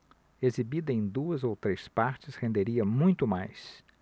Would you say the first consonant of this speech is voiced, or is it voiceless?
voiced